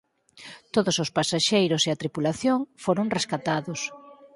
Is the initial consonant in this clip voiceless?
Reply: yes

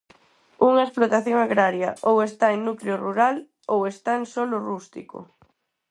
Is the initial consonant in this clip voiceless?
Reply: no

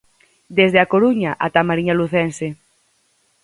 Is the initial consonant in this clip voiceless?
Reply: no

